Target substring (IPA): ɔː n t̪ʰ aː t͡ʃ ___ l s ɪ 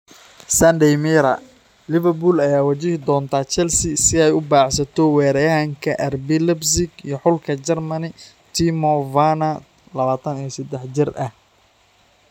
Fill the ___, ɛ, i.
ɛ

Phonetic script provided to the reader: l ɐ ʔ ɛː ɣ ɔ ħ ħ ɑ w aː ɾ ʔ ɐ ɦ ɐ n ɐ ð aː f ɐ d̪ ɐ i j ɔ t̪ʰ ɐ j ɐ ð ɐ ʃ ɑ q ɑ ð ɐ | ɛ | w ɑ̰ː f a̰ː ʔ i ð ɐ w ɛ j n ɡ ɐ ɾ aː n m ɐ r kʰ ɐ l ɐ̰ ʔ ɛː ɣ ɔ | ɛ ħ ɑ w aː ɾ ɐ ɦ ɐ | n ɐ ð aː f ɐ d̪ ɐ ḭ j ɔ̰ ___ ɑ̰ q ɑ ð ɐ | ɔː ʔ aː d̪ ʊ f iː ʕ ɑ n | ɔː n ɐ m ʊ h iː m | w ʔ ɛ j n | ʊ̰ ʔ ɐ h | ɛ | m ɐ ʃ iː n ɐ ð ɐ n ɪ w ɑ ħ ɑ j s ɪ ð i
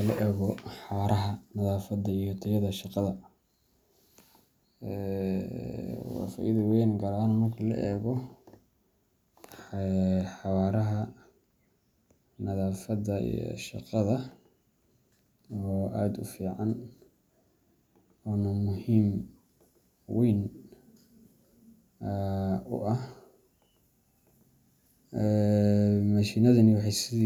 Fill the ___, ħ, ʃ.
ʃ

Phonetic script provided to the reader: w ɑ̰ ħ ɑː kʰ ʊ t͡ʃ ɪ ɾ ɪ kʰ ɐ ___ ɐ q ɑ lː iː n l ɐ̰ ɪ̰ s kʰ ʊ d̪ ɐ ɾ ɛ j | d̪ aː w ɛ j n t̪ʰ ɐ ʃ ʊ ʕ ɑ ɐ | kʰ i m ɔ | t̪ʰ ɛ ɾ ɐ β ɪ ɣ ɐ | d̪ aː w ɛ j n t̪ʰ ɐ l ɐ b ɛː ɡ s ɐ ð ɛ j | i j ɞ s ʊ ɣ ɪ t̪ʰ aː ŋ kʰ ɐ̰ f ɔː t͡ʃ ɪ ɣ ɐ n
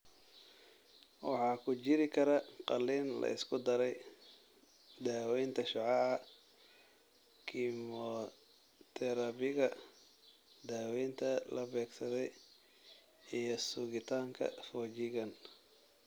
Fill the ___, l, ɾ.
ɾ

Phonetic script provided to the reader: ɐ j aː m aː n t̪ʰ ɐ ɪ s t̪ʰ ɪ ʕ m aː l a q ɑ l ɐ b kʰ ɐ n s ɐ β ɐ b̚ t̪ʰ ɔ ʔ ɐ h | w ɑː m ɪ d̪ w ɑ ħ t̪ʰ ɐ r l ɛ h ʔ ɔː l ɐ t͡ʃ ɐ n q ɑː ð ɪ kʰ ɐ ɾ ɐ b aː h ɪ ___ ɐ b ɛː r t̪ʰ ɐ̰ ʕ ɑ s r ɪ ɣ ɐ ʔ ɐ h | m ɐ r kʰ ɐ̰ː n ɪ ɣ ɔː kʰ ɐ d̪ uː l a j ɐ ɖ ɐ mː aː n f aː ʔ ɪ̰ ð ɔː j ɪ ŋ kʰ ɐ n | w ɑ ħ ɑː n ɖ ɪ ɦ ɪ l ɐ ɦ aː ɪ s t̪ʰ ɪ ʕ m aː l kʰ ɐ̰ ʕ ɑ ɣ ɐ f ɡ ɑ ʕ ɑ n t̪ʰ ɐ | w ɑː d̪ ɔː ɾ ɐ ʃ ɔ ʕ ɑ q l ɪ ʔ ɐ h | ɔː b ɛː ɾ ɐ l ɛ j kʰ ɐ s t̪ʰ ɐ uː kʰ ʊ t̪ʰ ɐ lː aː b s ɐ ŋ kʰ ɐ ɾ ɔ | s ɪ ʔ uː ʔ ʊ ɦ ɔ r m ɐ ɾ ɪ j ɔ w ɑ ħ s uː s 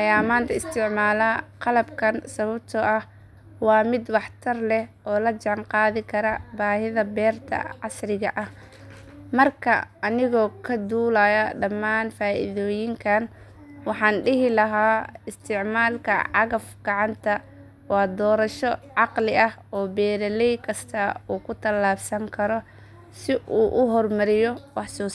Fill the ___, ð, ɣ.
ð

